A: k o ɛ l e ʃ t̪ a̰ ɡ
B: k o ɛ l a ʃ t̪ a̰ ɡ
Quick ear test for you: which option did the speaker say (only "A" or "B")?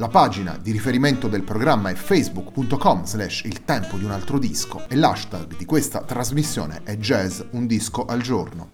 B